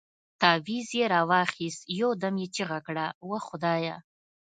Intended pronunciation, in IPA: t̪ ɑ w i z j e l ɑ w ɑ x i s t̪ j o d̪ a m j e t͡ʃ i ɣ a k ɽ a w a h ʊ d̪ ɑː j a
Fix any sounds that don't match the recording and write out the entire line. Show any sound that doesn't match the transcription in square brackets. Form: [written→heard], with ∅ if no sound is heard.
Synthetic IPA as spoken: t̪ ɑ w i z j e [l→ɾ] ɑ w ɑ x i s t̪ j o d̪ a m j e t͡ʃ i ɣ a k ɽ a w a [h→x] ʊ d̪ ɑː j a

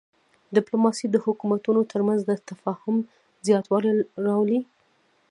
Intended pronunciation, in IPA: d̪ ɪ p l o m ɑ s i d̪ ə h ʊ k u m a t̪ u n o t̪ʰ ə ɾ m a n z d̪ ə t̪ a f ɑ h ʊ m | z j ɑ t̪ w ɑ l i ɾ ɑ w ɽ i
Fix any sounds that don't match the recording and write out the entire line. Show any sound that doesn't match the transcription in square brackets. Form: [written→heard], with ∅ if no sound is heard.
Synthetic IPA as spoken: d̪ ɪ p l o m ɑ s i d̪ ə h ʊ k u m a t̪ u n o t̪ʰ ə ɾ m a n z d̪ ə t̪ a f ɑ h ʊ m | z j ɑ t̪ w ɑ l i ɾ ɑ w [ɽ→l] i

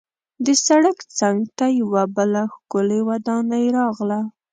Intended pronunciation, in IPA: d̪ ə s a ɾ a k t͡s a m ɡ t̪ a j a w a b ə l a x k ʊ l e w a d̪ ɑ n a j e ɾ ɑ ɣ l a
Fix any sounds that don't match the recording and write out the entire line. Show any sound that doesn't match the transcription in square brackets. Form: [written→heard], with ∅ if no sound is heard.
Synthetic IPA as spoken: d̪ ə s a [ɾ→ɽ] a k t͡s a [m→ŋ] ɡ t̪ a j a w a b ə l a x k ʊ l e w a d̪ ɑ n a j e ɾ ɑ ɣ l a

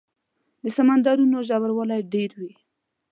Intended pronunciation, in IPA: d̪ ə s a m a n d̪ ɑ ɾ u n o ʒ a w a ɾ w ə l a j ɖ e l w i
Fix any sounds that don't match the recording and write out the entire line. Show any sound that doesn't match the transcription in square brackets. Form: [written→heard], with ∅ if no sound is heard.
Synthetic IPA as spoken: d̪ ə s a m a n d̪ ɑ ɾ u n o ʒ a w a ɾ w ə l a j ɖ e [l→ɾ] w i

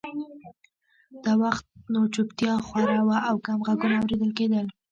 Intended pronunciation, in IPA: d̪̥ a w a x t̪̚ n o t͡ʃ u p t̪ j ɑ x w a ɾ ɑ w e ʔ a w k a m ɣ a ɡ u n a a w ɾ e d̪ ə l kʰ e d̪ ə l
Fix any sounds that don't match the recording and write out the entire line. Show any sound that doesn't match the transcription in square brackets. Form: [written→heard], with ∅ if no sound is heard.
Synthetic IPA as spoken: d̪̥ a w a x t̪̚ n o t͡ʃ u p t̪ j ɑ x w a ɾ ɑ w [e→a] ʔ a w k a m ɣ a ɡ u n a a w ɾ e d̪ ə l [kʰ→k] e d̪ ə l

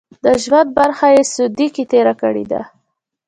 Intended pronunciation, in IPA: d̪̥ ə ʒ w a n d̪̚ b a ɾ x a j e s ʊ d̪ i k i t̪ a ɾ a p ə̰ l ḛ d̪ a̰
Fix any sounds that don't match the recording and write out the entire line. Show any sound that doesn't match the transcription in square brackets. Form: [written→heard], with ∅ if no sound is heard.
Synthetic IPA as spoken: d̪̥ ə ʒ w a n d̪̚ b a ɾ x a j e s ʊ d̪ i k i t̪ [a→e] ɾ a [p→k] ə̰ [l→ɽ] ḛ d̪ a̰

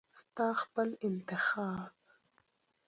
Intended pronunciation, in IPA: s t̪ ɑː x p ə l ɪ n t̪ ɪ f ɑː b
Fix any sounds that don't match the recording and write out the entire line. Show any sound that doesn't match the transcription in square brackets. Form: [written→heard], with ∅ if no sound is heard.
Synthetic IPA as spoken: s t̪ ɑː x p ə l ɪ n t̪ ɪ [f→x] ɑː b

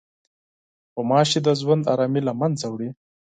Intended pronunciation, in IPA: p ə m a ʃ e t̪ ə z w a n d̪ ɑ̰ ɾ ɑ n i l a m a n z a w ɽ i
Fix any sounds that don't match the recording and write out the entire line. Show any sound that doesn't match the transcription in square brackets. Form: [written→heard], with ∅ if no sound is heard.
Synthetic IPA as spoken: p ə m [a→ɑ] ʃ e [t̪→d̪] ə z w a n d̪ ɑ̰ ɾ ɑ [n→m] i l a m a n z a w ɽ i

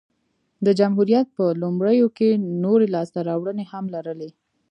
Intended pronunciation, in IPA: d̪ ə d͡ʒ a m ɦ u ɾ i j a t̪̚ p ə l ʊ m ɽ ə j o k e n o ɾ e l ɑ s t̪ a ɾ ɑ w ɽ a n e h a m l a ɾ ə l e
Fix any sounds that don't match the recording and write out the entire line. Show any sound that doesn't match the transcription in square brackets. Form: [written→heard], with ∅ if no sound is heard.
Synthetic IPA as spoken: d̪ ə d͡ʒ a m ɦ u ɾ i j a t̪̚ p ə l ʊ m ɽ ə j o k e n o ɾ e l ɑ s t̪ a ɾ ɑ w ɽ [a→ə] n e h a m l a ɾ ə l e

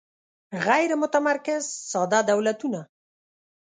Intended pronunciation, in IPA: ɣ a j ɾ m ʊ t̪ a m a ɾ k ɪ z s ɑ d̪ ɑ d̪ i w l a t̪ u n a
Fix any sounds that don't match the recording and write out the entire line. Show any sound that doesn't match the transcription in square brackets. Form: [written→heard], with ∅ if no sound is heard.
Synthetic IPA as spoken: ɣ a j ɾ m ʊ t̪ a m a ɾ k ɪ z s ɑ d̪ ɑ d̪ [i→a] w l a t̪ u n a

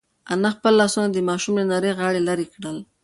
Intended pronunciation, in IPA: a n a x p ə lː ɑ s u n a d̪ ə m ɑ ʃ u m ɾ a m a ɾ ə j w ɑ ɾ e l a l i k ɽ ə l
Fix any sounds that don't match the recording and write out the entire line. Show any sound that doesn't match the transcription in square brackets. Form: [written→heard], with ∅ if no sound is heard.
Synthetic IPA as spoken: a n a x p ə lː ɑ s u n a d̪ ə m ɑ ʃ u m [ɾ→l] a [m→n] a ɾ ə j [w→ɣ] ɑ [ɾ→ɽ] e l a [l→ɾ] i k ɽ ə l

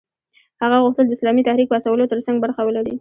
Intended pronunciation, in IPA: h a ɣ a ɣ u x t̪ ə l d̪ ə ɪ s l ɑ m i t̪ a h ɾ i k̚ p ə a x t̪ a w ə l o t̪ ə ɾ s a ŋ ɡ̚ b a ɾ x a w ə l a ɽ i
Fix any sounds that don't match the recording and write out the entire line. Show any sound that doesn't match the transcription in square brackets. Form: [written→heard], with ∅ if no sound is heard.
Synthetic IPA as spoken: h a ɣ a ɣ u x t̪ ə l d̪ ə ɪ s l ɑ m i t̪ a h ɾ i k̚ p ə a [x→s] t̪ a w ə l o t̪ ə ɾ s a ŋ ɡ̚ b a ɾ x a w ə l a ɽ i

